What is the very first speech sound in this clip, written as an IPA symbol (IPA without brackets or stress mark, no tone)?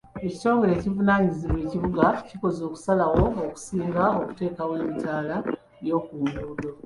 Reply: e